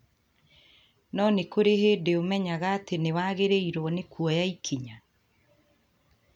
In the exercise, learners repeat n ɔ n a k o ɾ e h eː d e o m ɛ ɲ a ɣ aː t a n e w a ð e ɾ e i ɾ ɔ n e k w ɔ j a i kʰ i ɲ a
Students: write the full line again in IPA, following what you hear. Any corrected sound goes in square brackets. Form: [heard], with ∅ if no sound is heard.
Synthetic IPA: n ɔ n [e] k o ɾ e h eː d e o m ɛ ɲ a ɣ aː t [e] n e w a [ɣ] e ɾ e i ɾ ɔ n e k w ɔ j a i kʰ i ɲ a